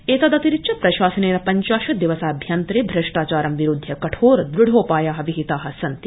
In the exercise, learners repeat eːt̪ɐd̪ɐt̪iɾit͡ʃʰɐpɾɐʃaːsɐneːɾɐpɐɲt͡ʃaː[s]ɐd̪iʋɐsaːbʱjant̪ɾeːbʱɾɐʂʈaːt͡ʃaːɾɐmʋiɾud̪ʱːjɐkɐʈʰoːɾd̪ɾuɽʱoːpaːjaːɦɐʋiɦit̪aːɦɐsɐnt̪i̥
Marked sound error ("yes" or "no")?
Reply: yes